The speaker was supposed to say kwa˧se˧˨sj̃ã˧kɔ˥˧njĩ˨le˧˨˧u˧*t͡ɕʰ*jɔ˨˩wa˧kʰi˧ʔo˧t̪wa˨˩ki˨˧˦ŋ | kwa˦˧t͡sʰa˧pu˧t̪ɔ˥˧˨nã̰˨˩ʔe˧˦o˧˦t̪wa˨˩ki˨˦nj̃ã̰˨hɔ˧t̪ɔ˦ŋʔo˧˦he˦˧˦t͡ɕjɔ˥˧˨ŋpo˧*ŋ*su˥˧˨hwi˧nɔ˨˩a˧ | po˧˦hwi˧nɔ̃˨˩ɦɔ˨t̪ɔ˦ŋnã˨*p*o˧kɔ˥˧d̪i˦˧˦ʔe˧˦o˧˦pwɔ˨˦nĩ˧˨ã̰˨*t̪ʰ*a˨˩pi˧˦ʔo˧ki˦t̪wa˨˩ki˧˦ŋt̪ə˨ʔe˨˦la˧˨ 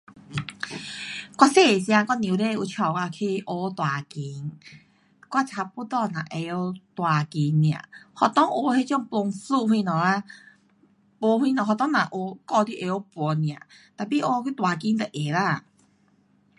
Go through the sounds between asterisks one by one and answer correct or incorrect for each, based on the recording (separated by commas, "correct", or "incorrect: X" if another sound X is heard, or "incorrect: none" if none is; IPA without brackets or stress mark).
correct, correct, incorrect: ʔ, incorrect: t̪